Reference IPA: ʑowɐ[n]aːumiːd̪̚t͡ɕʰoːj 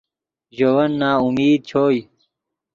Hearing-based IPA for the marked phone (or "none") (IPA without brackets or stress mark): nː